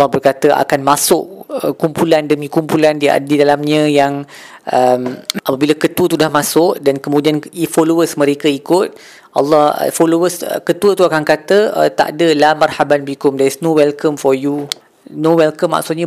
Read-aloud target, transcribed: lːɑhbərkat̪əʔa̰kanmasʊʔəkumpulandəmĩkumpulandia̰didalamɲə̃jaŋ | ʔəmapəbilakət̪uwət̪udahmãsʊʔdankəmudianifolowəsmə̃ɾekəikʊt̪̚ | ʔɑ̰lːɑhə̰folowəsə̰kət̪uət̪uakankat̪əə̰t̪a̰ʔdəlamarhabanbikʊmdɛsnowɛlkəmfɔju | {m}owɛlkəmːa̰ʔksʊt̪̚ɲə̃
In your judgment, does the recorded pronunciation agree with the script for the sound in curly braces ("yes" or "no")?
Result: no